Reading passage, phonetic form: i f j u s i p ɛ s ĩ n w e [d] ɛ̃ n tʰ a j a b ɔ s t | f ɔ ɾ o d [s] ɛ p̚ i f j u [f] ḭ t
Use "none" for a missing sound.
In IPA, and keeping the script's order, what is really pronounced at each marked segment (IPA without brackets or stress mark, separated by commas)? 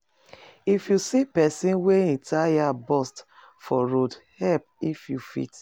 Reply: none, h, f